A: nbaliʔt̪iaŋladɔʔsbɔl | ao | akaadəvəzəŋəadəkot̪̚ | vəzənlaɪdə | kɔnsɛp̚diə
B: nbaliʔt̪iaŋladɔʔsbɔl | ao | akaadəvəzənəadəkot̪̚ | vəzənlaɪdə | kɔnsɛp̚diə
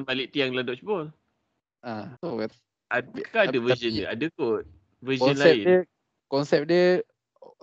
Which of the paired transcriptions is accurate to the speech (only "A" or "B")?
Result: B